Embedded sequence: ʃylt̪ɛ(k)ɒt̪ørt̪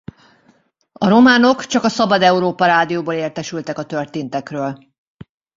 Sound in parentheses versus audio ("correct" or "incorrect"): correct